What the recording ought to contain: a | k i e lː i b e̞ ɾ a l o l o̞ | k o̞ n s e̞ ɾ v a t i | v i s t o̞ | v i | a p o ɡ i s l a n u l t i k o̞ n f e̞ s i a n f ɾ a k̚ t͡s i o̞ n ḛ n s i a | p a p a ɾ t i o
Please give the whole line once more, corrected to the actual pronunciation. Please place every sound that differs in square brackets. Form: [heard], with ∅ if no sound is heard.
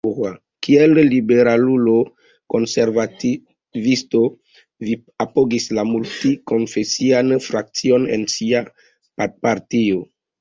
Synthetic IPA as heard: a | k i e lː i b e̞ ɾ a l [u] l o̞ | k o̞ n s e̞ ɾ v a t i | v i s t o̞ | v i | a p o ɡ i s l a [m] u l t i k o̞ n f e̞ s i a n f ɾ a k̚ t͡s i o̞ n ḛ n s i a | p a p a ɾ t i o